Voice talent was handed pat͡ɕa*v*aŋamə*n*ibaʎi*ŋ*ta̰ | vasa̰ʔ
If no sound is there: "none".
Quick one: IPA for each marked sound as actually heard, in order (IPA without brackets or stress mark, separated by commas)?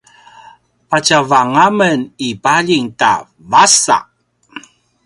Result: v, n, ŋ